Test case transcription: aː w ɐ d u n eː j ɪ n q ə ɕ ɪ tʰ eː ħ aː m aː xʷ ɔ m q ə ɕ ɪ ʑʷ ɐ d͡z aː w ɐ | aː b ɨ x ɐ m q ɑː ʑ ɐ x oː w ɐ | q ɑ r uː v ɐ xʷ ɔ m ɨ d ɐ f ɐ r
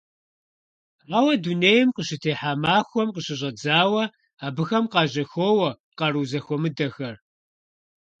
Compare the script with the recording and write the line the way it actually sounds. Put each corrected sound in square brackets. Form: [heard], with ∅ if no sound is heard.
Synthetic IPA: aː w ɐ d u n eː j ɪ [m] q ə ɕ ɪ tʰ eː ħ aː m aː xʷ ɔ m q ə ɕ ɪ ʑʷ ɐ d͡z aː w ɐ | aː b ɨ x ɐ m q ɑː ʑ ɐ x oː w ɐ | q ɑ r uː [z] ɐ xʷ ɔ m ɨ d ɐ [x] ɐ r